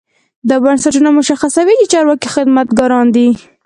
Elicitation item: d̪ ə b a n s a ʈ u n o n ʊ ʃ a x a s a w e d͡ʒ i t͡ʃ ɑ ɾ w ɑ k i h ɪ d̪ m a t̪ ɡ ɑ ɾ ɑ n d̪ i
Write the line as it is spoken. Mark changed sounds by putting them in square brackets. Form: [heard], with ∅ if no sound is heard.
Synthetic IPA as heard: d̪ ə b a n s a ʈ u n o [m] ʊ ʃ a x a s a w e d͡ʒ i t͡ʃ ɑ ɾ w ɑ k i [x] ɪ d̪ m a t̪ ɡ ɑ ɾ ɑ n d̪ i